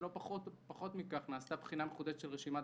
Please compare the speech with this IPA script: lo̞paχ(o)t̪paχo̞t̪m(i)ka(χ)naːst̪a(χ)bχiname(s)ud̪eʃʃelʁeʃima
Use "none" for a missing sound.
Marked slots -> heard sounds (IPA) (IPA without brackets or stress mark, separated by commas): o, i, χ, none, χ